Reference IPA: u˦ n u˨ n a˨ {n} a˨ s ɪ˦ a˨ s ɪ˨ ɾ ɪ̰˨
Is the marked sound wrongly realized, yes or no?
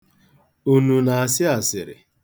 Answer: yes